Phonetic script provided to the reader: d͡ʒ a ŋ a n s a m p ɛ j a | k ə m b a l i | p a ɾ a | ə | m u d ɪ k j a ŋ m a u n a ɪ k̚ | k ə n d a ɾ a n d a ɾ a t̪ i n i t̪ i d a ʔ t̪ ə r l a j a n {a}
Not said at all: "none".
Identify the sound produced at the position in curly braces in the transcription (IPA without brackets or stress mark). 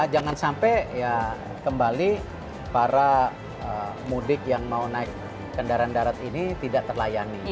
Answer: i